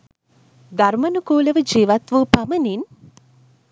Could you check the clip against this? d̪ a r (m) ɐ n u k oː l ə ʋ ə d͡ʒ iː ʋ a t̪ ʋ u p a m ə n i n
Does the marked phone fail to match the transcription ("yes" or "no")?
no